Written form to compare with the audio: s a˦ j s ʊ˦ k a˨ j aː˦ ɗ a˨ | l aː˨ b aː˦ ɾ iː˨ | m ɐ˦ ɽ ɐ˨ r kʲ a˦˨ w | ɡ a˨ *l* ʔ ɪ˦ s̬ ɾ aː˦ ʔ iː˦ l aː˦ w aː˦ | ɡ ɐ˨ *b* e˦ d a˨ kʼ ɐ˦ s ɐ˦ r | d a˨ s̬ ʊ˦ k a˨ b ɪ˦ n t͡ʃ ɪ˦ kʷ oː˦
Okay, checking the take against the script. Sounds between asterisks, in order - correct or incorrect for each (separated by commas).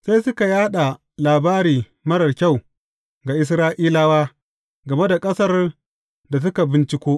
incorrect, incorrect